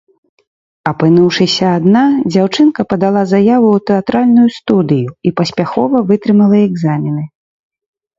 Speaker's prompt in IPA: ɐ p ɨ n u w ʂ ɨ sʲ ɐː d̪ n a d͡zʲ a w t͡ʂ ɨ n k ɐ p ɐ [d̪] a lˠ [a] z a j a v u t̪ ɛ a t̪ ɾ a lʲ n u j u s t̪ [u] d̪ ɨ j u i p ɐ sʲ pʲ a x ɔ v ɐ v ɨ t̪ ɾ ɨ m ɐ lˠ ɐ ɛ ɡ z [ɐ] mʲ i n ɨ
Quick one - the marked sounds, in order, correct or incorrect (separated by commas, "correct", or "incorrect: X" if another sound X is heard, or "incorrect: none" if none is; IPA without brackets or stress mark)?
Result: correct, correct, correct, incorrect: a